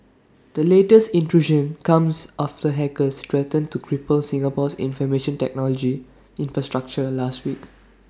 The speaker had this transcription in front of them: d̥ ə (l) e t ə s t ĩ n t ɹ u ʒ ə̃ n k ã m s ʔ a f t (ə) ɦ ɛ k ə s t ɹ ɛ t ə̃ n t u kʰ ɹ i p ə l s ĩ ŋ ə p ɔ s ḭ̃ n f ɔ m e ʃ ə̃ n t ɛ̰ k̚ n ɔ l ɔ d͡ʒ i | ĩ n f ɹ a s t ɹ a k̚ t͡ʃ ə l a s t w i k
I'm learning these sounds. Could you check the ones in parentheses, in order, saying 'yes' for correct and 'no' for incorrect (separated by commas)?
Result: yes, yes